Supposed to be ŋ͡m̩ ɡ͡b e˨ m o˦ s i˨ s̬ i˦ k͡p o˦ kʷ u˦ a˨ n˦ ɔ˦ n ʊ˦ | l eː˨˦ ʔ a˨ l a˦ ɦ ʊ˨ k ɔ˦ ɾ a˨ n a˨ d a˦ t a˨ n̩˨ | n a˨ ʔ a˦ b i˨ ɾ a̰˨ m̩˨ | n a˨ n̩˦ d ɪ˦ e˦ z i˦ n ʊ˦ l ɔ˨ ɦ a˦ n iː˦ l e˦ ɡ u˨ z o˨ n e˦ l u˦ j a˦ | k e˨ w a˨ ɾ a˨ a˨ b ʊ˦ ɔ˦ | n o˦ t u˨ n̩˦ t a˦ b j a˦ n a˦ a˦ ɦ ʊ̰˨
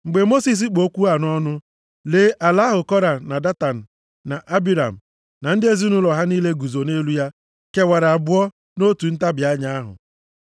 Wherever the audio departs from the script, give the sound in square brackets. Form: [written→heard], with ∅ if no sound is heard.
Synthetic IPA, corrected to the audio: ŋ͡m̩ ɡ͡b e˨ m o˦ s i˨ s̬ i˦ k͡p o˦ kʷ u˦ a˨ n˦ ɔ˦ n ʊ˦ | l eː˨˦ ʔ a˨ l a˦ ɦ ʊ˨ k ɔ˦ ɾ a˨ n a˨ d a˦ t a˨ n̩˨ | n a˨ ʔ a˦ b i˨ ɾ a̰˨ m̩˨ | n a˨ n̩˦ d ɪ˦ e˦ z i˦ n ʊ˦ l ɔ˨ ɦ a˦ n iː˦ l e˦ ɡ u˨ z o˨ n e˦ l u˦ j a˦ | k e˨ w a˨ ɾ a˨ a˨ b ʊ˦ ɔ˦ | n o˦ t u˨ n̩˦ t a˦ b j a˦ [n→ɲ] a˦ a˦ ɦ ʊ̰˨